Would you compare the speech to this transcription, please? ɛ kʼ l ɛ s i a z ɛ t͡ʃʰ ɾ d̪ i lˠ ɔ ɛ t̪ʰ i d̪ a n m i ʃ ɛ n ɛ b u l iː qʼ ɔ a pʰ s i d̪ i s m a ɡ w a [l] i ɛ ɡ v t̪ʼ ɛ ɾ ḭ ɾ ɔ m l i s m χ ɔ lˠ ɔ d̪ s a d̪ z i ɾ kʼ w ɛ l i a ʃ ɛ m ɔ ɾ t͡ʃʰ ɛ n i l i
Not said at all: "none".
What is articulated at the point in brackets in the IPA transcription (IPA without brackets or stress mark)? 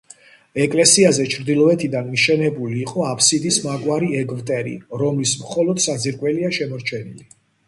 ɾ